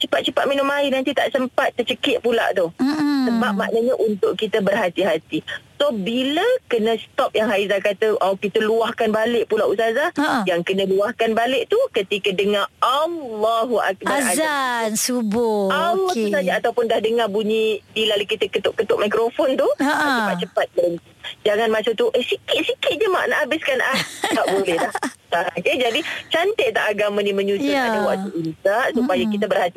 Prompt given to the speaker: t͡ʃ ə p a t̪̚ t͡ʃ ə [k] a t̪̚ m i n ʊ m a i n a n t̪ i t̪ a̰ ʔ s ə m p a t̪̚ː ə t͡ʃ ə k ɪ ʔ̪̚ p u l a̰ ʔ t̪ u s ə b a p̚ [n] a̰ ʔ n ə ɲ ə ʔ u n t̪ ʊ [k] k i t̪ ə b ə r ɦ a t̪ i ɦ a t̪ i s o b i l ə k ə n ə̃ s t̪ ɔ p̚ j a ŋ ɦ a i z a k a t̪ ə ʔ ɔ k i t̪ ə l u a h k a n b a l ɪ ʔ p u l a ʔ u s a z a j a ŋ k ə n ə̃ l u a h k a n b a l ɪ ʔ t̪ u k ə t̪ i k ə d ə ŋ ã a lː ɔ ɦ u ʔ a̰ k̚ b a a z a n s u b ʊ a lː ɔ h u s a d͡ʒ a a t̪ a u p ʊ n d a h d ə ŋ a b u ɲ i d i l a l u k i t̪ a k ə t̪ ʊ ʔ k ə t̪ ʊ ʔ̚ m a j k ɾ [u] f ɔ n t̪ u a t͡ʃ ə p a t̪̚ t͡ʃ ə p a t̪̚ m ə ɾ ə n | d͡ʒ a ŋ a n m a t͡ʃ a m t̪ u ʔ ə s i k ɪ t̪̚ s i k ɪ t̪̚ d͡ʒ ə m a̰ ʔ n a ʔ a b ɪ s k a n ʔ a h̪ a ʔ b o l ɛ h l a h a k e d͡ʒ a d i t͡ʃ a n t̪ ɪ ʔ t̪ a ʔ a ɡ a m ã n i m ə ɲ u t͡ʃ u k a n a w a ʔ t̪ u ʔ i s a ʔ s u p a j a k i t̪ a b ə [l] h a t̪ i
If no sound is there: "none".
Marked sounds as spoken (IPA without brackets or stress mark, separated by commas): p, m, ʔ, o, r